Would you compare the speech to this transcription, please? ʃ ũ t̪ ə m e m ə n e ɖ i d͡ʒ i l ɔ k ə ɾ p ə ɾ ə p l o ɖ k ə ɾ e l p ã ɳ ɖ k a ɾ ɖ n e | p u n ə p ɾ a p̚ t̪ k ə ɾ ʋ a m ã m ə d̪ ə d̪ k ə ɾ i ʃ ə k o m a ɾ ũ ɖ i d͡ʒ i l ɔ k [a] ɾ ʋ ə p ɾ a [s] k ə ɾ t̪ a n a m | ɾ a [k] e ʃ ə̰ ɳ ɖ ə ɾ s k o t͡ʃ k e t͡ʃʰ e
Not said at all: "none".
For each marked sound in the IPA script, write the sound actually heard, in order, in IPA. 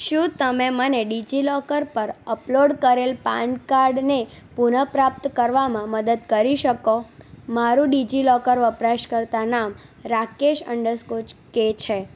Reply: ə, ʃ, k

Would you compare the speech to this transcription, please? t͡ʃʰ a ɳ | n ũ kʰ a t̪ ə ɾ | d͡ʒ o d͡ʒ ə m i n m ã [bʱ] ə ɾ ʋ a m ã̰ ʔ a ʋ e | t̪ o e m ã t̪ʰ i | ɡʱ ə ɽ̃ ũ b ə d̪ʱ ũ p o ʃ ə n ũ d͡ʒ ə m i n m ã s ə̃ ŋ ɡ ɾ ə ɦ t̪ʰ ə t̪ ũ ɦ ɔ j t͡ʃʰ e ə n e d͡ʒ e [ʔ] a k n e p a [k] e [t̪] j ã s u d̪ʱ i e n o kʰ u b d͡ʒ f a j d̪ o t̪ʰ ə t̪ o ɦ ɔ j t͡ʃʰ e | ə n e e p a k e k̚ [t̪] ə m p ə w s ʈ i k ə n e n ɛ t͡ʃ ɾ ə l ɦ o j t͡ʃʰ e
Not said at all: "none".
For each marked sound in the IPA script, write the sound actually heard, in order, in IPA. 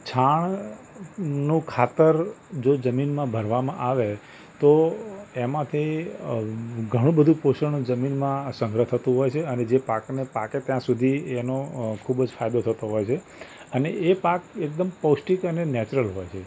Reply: bʱ, p, k, t̪, d̪

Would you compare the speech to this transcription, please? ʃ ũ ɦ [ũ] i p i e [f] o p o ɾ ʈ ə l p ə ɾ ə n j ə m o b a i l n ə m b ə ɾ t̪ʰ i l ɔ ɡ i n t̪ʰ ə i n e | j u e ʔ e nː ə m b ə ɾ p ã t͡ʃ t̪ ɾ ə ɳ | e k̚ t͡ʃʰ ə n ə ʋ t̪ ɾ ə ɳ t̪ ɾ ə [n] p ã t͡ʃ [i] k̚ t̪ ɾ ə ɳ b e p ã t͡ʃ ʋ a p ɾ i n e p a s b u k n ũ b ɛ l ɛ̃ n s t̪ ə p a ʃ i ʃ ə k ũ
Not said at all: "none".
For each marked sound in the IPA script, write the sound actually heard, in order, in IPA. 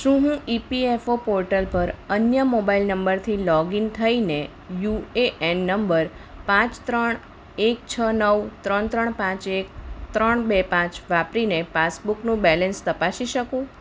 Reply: ũ, f, ɳ, e

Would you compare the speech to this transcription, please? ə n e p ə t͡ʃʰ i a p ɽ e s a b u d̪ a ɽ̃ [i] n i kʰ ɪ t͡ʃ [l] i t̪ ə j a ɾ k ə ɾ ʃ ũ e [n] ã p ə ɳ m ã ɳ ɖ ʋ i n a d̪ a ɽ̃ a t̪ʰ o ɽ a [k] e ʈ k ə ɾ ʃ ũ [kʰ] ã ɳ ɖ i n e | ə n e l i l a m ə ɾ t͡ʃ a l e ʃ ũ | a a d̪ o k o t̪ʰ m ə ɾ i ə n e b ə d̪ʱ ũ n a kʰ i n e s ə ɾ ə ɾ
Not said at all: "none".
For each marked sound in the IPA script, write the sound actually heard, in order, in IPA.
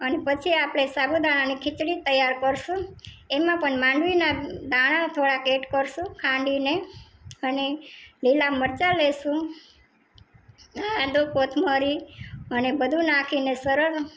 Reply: a, ɽ, m, k, kʰ

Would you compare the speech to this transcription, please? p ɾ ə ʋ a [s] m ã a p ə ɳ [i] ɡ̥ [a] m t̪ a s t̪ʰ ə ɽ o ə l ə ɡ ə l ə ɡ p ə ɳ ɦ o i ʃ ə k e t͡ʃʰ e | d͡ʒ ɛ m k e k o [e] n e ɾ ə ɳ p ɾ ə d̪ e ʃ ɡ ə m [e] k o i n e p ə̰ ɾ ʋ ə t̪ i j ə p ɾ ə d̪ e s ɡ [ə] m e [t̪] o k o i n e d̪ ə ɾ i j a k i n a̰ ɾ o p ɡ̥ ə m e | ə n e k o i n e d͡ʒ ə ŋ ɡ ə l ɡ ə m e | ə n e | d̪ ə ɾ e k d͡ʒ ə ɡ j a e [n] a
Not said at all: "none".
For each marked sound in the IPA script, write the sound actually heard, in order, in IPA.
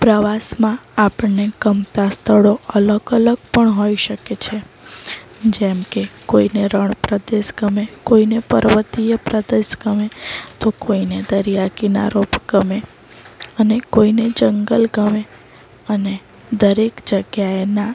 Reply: s, e, ə, i, e, ə, t̪, n

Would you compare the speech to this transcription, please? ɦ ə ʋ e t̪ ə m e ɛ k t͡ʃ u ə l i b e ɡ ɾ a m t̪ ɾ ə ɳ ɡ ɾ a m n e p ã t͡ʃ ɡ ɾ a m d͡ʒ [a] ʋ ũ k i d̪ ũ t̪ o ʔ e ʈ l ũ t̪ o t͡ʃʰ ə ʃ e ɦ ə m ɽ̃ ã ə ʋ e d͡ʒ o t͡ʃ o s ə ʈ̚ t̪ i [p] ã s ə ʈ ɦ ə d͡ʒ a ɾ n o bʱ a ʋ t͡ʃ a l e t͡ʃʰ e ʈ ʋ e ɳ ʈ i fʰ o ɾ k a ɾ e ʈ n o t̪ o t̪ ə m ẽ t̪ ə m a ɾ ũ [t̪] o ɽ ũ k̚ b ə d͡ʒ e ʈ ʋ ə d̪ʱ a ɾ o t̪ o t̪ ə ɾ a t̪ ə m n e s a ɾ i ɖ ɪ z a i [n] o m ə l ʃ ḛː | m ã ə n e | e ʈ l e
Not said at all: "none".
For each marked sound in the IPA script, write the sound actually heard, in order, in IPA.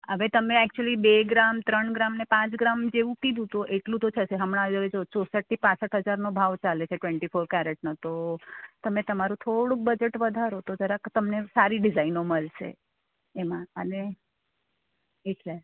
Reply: e, p, t̪ʰ, n

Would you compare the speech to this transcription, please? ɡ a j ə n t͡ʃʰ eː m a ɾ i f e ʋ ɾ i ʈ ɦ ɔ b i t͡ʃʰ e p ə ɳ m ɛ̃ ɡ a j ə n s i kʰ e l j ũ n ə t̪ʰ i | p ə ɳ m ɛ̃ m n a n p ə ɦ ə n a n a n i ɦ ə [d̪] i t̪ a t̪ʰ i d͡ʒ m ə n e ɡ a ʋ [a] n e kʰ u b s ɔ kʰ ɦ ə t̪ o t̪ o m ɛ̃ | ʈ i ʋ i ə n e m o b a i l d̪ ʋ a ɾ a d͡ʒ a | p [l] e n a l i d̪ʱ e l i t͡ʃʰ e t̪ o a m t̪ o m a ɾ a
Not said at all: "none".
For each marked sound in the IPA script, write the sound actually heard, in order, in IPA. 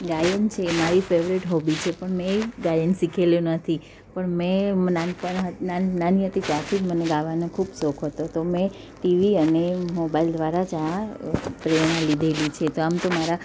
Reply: t̪, a, ɾ

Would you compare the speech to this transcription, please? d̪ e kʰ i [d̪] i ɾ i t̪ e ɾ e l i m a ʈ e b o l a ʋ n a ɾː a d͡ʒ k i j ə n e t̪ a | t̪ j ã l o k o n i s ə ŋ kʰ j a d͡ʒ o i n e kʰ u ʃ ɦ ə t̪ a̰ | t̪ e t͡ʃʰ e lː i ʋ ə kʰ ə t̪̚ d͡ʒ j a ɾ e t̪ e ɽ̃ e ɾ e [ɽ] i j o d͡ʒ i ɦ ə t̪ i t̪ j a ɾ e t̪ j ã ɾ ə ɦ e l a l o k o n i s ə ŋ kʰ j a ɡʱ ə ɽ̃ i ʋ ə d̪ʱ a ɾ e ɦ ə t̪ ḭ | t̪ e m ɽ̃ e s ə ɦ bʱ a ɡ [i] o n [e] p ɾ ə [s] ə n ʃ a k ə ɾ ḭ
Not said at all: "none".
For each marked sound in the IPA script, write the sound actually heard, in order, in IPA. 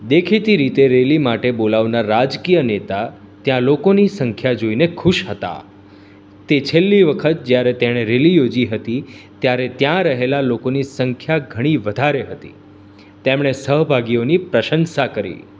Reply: t̪, l, i, i, ʃ

